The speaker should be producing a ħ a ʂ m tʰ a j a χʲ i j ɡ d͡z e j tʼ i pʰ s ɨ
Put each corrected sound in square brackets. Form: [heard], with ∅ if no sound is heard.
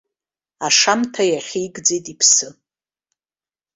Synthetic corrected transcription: a [ʂ] a [∅] m tʰ a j a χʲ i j ɡ d͡z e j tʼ i pʰ s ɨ